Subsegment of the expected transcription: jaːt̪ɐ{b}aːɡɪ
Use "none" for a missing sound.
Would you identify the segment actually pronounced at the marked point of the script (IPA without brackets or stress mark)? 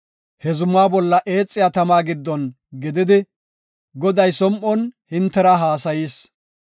m